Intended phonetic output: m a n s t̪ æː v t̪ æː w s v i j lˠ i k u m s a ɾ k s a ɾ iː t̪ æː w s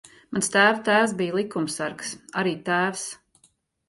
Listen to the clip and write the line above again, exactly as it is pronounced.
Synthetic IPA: m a n s t̪ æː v t̪ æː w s b i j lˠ i k u m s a ɾ k s a ɾ iː t̪ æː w s

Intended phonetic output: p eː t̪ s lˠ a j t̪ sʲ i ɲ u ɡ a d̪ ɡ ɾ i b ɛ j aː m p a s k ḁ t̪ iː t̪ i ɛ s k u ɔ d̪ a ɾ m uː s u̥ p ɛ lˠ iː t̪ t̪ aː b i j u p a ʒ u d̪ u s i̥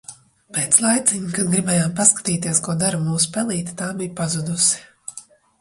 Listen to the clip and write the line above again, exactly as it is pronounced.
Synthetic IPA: p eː t̪ s lˠ a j t̪ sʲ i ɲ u k a d̪ ɡ ɾ i b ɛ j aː m p a s k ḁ t̪ iː t̪ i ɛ s k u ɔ d̪ a ɾ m uː s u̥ p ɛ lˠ iː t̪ t̪ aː b i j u p a z u d̪ u s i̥

